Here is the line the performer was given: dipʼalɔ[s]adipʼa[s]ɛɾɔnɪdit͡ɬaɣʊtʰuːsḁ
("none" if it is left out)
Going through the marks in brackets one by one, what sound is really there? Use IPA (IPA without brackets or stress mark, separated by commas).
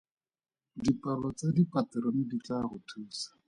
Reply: t͡s, t